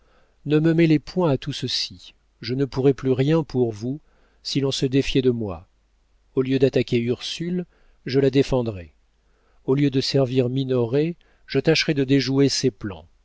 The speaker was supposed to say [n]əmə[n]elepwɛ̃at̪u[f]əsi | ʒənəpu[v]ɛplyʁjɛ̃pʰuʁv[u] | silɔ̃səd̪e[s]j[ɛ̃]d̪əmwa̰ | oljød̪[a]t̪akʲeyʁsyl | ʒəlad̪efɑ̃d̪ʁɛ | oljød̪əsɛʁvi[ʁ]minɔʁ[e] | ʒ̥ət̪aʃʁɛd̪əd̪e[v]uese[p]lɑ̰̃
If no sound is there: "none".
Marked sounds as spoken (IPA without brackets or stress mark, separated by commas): n, m, s, ʁ, u, f, ɛ, a, ʁ, e, ʒ, p